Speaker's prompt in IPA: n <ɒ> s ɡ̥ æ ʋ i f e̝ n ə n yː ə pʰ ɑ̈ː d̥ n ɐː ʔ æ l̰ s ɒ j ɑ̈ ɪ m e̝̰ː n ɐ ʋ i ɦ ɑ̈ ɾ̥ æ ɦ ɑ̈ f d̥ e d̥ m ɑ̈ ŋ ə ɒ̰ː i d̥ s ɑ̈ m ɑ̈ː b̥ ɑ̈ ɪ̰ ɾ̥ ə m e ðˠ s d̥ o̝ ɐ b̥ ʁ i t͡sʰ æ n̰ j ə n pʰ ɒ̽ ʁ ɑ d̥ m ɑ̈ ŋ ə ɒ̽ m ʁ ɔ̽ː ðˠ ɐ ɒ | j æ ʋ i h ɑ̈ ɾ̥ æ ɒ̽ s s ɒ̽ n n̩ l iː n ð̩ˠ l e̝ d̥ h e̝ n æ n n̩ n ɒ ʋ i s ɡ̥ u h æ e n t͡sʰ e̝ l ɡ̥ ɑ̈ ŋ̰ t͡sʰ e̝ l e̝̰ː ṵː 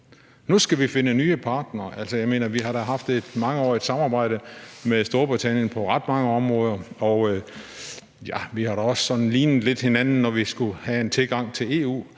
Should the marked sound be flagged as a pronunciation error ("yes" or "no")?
yes